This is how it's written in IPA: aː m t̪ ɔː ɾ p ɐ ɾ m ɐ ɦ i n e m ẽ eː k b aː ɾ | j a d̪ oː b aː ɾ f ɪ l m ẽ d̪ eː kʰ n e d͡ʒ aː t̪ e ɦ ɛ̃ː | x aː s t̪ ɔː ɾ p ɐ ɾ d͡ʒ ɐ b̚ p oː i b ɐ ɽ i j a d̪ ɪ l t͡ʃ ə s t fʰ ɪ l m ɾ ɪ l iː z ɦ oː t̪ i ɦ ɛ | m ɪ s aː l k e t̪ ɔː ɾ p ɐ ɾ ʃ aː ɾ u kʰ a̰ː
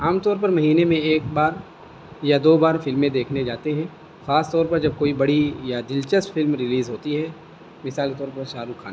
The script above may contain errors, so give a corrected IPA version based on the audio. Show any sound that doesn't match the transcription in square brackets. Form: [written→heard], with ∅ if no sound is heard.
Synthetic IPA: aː m t̪ ɔː ɾ p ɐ ɾ m ɐ ɦ [i→iː] n e m ẽ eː k b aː ɾ | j a d̪ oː b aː ɾ f ɪ l m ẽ d̪ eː kʰ n e d͡ʒ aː t̪ e ɦ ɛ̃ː | x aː s t̪ ɔː ɾ p ɐ ɾ d͡ʒ ɐ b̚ [p→k] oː i b ɐ ɽ i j a d̪ ɪ l t͡ʃ ə s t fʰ ɪ l m ɾ ɪ l iː z ɦ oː t̪ i ɦ ɛ | m ɪ s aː l k e t̪ ɔː ɾ p ɐ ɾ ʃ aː ɾ u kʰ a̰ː